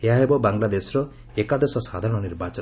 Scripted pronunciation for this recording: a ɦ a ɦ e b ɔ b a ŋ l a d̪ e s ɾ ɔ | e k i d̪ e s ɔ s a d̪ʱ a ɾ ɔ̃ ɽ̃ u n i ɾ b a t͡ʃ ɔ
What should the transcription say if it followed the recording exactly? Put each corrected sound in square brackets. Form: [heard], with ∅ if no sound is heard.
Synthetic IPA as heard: [e] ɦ a ɦ e b ɔ b a ŋ l a d̪ e s ɾ ɔ | e k [a] d̪ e s ɔ s a d̪ʱ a ɾ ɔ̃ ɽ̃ [ɔ] n i ɾ b a t͡ʃ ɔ